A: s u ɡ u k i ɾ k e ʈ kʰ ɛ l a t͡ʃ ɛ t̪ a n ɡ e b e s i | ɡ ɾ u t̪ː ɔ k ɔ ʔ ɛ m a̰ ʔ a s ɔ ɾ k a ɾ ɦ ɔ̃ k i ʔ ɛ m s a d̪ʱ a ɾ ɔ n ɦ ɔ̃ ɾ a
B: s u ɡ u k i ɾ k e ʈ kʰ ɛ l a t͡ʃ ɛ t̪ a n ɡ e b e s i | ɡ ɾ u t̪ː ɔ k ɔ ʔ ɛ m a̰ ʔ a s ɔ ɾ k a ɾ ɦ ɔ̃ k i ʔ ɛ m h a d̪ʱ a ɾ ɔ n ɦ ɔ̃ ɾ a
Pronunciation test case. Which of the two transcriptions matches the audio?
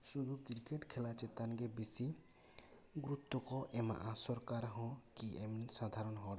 A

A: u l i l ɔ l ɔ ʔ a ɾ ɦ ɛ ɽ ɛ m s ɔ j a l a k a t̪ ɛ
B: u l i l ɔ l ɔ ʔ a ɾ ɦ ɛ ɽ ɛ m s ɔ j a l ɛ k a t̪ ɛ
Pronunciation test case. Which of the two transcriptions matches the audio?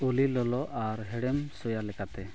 B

